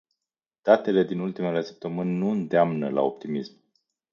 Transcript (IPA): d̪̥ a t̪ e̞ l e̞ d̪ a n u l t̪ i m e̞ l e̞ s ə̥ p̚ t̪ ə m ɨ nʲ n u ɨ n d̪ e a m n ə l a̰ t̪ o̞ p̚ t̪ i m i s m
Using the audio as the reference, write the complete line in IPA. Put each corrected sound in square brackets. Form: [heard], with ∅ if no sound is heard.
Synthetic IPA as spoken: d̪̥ a t̪ e̞ l e̞ d̪ [i] n u l t̪ i m e̞ l e̞ s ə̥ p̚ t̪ ə m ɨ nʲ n u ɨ n d̪ e a m n ə l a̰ [∅] o̞ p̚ t̪ i m i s m